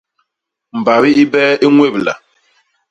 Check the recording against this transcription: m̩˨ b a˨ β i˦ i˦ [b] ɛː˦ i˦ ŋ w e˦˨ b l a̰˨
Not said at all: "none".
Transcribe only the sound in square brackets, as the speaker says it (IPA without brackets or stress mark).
b